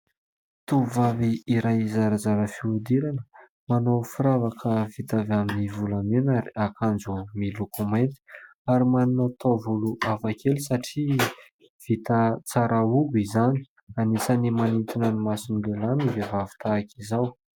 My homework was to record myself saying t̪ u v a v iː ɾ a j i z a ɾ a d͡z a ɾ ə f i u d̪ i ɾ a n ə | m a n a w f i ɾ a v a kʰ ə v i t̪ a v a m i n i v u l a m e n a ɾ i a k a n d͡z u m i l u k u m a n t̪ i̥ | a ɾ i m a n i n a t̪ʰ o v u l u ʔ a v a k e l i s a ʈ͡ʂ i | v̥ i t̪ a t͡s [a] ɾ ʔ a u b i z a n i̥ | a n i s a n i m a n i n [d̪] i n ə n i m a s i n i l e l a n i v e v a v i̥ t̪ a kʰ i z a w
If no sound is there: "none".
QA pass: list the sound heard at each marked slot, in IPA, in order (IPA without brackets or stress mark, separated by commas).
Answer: a, t̪